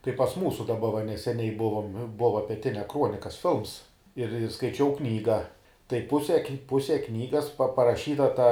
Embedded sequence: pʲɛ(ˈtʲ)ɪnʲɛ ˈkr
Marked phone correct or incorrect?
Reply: correct